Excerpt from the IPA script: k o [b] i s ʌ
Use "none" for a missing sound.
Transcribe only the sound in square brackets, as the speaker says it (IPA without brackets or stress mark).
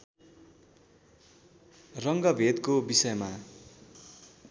b